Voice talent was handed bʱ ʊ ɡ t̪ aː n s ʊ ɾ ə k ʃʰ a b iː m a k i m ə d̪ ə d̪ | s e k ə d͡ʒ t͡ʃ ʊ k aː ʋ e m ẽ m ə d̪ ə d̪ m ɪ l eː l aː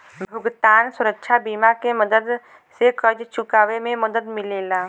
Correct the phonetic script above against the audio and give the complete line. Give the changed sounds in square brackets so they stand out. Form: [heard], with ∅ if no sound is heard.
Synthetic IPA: bʱ ʊ ɡ t̪ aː n s ʊ ɾ ə k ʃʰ a b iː m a k [e] m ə d̪ ə d̪ | s e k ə d͡ʒ t͡ʃ ʊ k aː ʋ e m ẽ m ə d̪ ə d̪ m ɪ l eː l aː